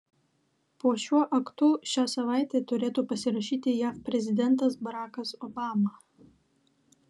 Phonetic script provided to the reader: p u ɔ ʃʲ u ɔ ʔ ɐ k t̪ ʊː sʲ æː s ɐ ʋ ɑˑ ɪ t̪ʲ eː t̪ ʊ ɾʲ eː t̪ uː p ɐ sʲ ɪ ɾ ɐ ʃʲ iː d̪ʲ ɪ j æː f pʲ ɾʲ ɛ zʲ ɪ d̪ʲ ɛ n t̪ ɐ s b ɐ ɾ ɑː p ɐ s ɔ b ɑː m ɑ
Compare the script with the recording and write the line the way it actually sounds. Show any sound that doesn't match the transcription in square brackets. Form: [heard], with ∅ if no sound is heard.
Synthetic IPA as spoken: p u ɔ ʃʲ u ɔ ʔ ɐ k t̪ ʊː [ʃʲ] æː s ɐ ʋ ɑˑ ɪ t̪ʲ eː t̪ ʊ ɾʲ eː t̪ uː p ɐ sʲ ɪ ɾ ɐ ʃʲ iː [t̪ʲ] ɪ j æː f pʲ ɾʲ ɛ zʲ ɪ d̪ʲ ɛ n t̪ ɐ s b ɐ ɾ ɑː [k] ɐ s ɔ b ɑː m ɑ